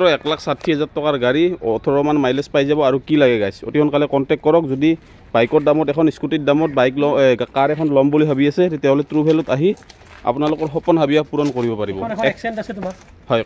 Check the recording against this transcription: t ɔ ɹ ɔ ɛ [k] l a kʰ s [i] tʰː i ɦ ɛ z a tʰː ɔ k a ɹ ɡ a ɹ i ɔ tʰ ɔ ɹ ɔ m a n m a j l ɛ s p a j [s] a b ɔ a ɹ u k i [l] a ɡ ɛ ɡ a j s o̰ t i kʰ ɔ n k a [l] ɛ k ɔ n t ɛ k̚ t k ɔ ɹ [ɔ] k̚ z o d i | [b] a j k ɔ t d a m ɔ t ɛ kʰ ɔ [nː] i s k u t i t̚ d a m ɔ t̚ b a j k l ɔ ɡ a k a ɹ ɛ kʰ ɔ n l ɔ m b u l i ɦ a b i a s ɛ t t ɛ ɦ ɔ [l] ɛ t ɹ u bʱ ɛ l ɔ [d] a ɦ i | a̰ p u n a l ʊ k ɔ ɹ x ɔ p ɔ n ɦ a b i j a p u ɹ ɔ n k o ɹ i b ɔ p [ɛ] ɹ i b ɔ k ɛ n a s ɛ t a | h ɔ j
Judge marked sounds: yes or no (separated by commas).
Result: yes, no, no, yes, yes, yes, yes, no, yes, no, no